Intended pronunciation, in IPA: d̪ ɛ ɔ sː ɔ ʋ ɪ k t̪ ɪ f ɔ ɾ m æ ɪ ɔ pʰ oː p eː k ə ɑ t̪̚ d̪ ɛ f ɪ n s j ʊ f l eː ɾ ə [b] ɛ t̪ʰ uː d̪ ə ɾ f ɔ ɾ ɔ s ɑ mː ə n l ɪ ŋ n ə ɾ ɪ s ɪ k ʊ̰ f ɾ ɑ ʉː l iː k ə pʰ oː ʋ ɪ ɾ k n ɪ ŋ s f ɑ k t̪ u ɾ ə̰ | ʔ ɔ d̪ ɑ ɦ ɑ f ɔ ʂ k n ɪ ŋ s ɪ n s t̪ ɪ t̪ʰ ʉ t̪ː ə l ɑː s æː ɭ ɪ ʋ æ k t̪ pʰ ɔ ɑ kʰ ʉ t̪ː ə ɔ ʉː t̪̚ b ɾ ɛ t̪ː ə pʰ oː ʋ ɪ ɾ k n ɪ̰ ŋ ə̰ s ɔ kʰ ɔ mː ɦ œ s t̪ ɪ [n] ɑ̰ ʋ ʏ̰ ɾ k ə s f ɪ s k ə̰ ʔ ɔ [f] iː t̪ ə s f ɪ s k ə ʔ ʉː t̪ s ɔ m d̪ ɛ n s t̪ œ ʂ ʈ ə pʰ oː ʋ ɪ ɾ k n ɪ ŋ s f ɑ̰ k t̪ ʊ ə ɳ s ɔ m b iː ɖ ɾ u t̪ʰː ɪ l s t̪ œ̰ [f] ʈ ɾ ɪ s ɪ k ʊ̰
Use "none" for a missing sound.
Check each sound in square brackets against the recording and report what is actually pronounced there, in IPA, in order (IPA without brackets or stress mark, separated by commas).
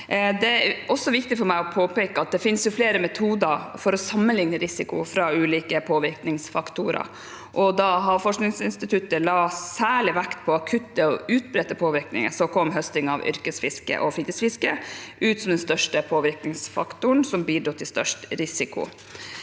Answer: m, ŋ, f, ʂ